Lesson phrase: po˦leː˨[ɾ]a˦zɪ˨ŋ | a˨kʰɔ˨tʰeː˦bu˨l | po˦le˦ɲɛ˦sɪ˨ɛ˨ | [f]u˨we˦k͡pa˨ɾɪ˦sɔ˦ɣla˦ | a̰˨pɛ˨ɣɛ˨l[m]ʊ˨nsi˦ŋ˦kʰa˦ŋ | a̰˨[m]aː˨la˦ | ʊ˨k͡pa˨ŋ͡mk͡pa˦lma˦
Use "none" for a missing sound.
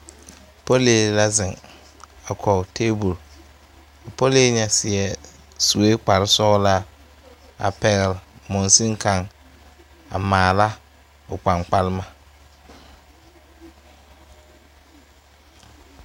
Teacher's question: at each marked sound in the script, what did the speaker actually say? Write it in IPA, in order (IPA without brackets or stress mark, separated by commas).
l, s, m, m